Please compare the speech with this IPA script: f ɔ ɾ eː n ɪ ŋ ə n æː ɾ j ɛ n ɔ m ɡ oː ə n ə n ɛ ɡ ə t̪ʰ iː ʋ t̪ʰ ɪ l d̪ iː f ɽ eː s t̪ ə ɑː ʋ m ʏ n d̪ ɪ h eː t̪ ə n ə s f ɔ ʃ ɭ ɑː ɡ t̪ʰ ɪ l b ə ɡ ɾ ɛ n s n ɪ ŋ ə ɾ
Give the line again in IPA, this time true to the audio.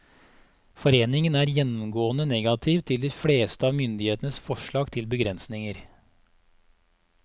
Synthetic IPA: f ɔ ɾ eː n ɪ ŋ ə n æː ɾ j ɛ n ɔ m ɡ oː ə n ə n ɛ ɡ ɑ t̪ʰ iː ʋ t̪ʰ ɪ l d̪ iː f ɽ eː s t̪ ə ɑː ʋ m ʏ n d̪ ɪ h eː t̪ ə n ə s f ɔ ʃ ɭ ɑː ɡ t̪ʰ ɪ l b ə ɡ ɾ ɛ n s n ɪ ŋ ə ɾ